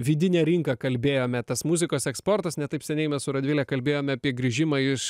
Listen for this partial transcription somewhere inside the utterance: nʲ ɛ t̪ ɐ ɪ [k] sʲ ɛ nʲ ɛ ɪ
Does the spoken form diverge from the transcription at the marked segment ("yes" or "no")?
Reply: yes